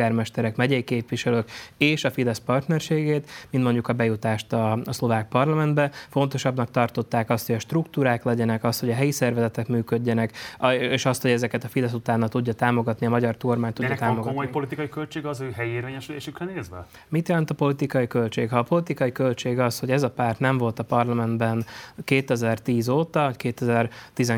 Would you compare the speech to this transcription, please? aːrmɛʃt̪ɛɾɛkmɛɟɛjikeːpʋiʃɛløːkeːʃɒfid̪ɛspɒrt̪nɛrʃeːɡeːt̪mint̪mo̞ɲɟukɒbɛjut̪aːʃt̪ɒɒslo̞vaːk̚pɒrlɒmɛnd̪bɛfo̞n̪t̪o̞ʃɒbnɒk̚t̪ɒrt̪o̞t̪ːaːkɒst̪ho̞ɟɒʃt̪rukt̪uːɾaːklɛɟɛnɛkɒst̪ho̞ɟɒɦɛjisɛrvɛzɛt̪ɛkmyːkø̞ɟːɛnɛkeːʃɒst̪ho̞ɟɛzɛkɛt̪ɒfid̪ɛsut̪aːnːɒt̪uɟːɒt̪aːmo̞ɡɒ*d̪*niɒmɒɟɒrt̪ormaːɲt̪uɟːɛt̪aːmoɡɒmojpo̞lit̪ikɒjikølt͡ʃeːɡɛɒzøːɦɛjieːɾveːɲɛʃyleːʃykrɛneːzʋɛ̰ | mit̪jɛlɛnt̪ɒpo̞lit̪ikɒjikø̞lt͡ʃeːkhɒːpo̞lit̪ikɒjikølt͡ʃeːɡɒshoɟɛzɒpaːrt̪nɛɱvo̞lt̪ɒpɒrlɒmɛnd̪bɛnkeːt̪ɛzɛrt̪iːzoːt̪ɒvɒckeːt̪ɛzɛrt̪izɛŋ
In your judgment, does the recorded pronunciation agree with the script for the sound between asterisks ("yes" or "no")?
no